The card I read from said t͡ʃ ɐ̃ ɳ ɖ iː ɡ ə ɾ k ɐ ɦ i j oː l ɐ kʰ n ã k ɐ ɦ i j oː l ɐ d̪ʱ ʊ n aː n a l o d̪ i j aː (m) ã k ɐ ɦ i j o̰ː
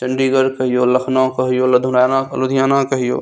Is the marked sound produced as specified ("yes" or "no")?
no